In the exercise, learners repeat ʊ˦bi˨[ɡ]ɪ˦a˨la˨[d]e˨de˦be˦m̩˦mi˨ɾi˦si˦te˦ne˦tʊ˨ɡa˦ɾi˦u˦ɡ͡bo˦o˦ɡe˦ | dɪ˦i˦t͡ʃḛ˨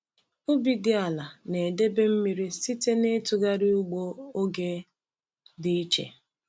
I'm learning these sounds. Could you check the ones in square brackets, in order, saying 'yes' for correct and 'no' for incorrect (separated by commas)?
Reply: no, no